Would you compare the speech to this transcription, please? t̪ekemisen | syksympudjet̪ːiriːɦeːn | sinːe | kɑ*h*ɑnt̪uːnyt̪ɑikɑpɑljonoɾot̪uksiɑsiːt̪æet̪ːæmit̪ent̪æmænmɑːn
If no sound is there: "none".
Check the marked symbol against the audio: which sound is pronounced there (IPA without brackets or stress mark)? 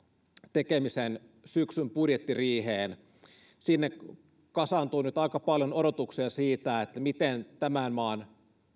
s